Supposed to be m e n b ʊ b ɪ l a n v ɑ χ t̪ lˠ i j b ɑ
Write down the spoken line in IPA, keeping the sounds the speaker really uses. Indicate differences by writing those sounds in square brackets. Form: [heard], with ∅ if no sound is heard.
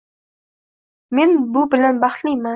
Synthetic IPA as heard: m e n b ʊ b ɪ l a n [b] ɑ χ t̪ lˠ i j [m] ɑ